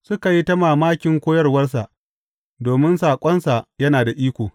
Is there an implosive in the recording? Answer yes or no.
no